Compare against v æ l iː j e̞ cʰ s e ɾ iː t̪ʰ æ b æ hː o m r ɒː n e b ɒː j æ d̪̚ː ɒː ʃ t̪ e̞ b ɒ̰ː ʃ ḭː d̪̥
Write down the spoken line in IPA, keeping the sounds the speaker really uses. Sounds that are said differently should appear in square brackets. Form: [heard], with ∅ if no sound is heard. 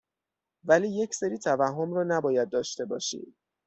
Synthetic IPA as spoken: v æ l iː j e̞ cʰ s e ɾ iː t̪ʰ æ [v] æ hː o m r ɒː n [æ] b ɒː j æ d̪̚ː ɒː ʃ t̪ e̞ b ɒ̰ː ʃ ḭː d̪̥